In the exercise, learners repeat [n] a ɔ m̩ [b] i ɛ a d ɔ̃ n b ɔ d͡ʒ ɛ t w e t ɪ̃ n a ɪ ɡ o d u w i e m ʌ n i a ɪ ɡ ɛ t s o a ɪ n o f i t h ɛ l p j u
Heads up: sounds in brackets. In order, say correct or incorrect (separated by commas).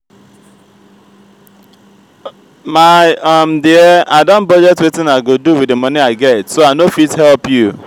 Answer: incorrect, incorrect